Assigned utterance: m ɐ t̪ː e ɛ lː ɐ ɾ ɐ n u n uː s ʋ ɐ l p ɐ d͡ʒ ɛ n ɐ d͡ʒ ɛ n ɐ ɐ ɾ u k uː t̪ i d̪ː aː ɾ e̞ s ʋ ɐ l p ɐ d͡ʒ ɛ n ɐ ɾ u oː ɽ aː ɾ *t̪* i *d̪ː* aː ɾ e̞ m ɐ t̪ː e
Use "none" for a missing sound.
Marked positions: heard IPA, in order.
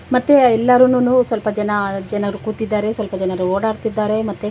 t̪, d̪ː

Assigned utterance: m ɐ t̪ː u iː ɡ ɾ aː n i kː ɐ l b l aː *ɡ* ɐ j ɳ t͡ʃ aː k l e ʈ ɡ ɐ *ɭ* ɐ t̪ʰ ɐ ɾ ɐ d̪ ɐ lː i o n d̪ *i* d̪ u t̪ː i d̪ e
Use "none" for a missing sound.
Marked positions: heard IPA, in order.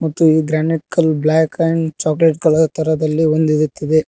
k, ɭ, i

